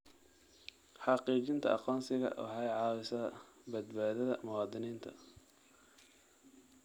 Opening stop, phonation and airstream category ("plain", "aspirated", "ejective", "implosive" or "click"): plain